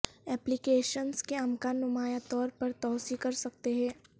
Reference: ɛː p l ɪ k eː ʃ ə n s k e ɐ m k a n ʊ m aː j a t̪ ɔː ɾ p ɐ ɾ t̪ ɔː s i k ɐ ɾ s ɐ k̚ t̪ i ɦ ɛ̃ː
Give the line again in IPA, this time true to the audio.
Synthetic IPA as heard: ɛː p l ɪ k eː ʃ ə n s k e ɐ m k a n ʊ m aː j a t̪ ɔː ɾ p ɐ ɾ t̪ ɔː s i k ɐ ɾ s ɐ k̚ t̪ e ɦ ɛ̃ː